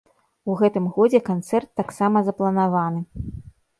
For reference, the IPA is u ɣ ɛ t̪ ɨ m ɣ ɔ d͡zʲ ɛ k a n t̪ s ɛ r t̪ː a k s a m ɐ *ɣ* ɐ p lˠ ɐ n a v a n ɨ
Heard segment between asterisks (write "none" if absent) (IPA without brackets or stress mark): z